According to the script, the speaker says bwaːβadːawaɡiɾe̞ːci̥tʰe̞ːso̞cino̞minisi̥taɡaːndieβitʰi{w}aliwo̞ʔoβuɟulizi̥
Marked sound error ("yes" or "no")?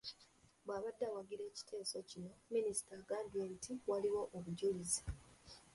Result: no